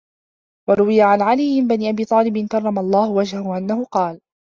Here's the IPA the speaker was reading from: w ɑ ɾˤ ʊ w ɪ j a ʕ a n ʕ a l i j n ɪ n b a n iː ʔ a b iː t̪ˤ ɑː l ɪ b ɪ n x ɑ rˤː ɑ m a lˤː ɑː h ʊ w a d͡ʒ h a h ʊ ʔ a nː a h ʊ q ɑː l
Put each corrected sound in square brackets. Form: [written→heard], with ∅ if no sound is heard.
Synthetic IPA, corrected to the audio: w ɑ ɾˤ ʊ w ɪ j a ʕ a n ʕ a l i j [n→m] ɪ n b a n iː ʔ a b iː t̪ˤ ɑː l ɪ b ɪ n [x→k] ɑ rˤː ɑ m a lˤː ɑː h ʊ w a d͡ʒ h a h ʊ ʔ a nː a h ʊ q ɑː l